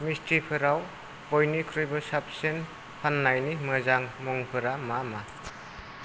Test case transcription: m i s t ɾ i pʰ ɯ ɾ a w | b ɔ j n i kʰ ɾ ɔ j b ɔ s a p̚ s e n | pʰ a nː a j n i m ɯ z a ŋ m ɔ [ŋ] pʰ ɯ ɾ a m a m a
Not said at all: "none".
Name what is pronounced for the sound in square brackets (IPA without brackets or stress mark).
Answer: ŋ